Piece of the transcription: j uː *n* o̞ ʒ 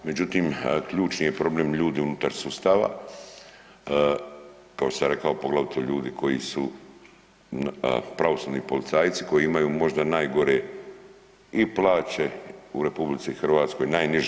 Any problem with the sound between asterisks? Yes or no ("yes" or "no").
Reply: yes